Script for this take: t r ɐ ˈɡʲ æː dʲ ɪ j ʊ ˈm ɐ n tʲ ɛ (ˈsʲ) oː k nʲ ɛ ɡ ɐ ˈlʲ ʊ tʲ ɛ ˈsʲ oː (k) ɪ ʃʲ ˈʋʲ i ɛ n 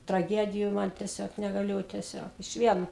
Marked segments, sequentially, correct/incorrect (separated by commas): correct, correct